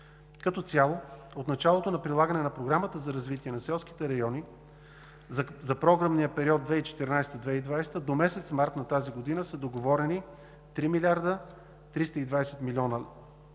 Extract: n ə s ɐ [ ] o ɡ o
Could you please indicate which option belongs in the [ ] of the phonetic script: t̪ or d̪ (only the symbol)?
d̪